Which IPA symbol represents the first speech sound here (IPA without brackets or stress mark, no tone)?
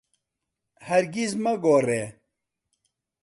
h